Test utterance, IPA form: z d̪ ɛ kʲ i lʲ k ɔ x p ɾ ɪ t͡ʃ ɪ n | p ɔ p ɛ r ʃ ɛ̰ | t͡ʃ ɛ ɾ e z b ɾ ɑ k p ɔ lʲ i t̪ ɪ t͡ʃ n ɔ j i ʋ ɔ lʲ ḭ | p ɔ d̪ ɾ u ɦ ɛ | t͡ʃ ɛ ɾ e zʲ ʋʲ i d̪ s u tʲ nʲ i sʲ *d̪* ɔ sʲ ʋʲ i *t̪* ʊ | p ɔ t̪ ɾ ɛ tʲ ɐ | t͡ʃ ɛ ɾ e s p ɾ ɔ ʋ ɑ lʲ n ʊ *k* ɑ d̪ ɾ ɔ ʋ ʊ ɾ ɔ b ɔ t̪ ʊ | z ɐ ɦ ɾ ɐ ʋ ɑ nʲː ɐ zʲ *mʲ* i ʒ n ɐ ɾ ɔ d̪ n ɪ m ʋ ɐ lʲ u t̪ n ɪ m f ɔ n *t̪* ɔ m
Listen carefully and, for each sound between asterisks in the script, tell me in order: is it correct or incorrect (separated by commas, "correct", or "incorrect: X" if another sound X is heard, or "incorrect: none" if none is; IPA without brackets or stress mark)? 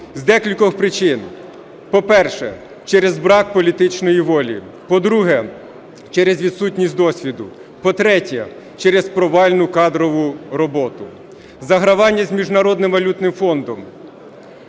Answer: correct, incorrect: d̪, correct, correct, incorrect: d̪